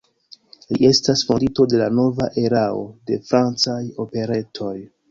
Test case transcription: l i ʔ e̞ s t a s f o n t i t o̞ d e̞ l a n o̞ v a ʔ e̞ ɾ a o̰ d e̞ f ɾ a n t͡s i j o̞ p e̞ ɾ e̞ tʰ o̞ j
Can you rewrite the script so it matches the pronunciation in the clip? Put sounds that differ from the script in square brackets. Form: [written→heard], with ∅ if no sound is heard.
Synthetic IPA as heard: l i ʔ e̞ s t a s f o n [t→d] i t o̞ d e̞ l a n o̞ v a ʔ e̞ ɾ a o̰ d e̞ f ɾ a n t͡s [i→a] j o̞ p e̞ ɾ e̞ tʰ o̞ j